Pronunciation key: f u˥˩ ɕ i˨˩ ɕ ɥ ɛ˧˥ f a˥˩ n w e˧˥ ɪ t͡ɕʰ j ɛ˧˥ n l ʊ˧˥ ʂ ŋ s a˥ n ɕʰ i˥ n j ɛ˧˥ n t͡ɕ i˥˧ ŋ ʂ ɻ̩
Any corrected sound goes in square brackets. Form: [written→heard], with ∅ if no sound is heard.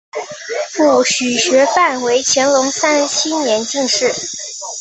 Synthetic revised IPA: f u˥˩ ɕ [i˨˩→y˨˩] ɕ ɥ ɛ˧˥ f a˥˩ n w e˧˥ ɪ t͡ɕʰ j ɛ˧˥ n l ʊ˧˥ [ʂ→∅] ŋ s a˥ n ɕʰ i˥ n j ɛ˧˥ n t͡ɕ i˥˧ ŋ ʂ ɻ̩